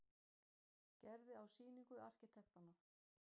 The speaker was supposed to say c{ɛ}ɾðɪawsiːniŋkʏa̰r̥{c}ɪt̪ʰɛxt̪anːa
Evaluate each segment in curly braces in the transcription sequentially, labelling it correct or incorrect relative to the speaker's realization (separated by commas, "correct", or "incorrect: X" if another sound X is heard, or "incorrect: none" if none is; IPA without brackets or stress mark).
correct, correct